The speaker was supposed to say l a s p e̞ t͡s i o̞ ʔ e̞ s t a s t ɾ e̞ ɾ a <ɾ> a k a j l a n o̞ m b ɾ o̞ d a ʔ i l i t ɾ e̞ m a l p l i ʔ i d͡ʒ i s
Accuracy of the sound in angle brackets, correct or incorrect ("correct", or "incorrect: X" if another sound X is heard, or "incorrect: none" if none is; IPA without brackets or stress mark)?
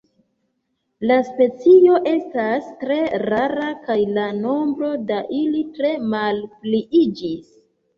correct